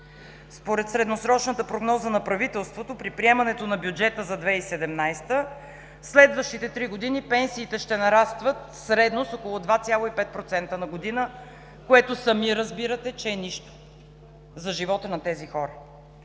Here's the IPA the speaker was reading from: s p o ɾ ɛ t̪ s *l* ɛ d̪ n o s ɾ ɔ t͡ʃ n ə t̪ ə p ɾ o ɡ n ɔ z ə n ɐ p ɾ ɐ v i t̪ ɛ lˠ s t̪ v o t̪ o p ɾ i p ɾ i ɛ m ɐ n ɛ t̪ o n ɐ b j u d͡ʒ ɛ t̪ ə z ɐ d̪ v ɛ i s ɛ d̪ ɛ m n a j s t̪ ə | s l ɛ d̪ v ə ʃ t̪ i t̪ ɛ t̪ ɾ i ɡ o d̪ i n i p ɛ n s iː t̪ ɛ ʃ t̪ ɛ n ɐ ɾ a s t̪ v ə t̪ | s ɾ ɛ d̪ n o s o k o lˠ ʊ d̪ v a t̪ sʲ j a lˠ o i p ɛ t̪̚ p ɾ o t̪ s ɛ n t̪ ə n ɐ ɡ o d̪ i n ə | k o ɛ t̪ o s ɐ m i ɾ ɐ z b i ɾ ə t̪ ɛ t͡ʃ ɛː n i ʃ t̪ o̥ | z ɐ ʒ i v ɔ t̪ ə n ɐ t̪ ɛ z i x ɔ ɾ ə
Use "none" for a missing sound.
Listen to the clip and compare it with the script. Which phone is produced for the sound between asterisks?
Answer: ɾ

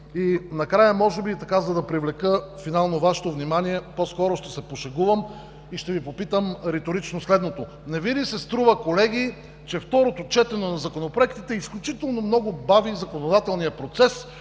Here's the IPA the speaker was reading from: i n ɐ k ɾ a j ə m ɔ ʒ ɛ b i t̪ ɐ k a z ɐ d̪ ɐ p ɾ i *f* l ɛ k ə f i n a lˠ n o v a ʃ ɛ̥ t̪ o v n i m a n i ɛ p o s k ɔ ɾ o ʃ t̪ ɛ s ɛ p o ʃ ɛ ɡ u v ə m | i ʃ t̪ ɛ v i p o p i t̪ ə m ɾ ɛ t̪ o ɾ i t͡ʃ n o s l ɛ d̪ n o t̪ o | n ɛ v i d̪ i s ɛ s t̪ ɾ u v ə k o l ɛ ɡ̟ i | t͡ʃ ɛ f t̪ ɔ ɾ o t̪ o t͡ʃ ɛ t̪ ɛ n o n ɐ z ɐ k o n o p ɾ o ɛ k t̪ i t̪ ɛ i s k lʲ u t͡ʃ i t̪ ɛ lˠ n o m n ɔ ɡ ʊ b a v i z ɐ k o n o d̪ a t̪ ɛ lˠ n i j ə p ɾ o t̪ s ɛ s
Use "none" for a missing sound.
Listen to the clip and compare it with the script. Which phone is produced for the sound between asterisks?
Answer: v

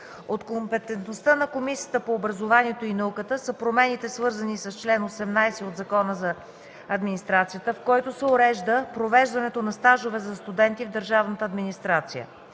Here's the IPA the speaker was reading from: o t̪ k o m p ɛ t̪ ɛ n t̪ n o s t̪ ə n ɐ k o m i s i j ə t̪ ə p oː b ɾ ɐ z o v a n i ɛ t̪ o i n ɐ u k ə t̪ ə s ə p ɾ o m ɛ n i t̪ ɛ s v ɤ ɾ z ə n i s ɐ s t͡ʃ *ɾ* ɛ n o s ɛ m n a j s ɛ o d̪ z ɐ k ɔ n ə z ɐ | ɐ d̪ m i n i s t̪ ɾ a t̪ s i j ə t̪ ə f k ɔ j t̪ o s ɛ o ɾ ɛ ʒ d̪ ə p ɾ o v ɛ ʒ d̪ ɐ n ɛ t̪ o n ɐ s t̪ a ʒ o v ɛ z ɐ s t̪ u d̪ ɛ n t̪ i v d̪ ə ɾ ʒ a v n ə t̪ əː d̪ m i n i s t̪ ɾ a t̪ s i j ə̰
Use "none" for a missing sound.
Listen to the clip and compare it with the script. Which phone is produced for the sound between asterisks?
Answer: l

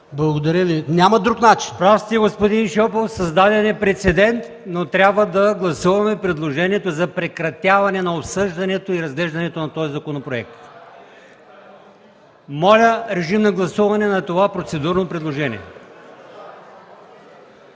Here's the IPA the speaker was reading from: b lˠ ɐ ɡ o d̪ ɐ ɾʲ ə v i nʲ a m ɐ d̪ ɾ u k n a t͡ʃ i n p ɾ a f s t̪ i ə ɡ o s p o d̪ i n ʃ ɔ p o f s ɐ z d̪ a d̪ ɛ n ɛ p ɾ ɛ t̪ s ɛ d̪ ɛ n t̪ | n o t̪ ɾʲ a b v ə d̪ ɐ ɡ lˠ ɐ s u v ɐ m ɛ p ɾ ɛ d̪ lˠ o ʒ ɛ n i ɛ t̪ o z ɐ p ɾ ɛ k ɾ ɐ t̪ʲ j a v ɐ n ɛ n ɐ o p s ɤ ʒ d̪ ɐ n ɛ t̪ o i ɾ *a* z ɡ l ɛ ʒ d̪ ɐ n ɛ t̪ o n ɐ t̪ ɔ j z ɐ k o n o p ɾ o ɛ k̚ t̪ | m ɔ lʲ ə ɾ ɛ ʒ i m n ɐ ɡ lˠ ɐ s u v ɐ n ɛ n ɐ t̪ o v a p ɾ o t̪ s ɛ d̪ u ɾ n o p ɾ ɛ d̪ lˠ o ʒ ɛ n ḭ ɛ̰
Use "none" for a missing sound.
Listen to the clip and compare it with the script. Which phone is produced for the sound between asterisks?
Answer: ɐ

